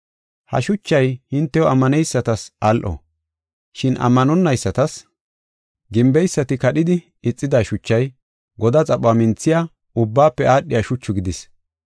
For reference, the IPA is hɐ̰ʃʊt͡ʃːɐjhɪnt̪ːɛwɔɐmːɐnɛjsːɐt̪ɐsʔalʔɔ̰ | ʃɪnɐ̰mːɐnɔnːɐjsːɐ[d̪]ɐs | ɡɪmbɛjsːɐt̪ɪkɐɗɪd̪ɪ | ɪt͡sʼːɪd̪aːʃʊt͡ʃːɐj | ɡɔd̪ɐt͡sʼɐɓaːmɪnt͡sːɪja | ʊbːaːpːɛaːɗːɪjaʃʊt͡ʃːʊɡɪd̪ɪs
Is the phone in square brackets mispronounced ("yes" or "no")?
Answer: yes